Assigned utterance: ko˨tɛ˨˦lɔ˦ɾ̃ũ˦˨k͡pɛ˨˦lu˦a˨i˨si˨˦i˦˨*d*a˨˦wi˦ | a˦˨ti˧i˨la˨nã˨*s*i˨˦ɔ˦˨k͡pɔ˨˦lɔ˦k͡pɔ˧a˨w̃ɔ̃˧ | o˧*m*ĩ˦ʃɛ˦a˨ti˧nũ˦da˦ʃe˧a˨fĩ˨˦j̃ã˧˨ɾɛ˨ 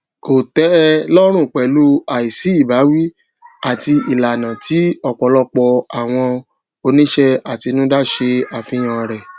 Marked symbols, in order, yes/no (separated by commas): no, no, no